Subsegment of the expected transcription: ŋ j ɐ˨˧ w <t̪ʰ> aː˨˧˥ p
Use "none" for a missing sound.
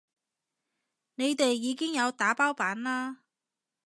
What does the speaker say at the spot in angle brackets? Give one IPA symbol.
t̪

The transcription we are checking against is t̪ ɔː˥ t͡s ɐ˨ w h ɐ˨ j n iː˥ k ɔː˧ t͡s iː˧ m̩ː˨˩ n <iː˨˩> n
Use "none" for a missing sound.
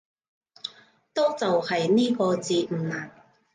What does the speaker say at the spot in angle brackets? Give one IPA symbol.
aː˨˩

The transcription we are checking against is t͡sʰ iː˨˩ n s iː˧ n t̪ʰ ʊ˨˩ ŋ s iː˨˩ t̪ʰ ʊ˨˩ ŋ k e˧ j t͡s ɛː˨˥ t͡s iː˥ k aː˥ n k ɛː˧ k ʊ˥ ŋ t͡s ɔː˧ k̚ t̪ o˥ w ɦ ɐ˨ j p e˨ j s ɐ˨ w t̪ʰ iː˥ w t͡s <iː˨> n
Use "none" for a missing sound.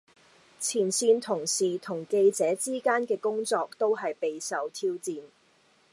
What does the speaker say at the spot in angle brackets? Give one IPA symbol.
iː˨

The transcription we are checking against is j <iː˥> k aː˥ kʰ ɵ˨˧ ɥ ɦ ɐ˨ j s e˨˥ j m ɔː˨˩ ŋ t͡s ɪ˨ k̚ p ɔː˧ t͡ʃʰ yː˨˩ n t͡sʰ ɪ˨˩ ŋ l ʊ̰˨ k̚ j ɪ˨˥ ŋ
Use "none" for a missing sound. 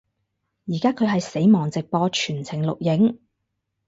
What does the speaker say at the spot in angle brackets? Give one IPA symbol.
iː˨˩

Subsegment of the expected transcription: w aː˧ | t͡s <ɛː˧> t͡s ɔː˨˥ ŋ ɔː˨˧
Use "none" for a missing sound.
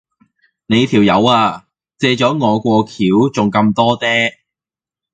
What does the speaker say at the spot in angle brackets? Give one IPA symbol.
ɛː˧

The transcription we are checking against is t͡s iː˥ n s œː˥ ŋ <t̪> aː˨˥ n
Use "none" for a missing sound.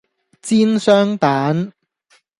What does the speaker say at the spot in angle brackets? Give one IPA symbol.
t̪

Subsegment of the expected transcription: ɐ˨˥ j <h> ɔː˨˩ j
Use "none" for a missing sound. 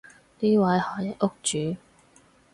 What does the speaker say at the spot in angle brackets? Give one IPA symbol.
h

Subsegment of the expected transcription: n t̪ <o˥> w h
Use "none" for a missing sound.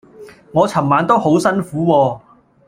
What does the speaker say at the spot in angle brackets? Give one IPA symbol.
o˥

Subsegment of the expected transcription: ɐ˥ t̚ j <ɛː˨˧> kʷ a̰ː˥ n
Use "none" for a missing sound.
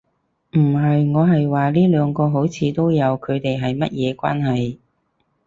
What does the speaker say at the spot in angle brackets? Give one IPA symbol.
ɛː˨˧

